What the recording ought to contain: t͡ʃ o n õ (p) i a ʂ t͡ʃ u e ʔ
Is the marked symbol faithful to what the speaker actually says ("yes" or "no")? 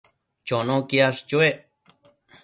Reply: no